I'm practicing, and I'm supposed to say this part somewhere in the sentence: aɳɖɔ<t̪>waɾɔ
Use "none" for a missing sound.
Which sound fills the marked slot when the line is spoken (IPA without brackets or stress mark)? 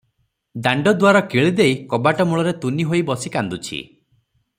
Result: d̪